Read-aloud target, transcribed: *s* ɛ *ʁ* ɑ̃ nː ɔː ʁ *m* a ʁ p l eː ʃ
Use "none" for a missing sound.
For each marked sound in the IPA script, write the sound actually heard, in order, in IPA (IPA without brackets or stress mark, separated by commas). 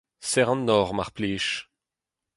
s, ʁ, m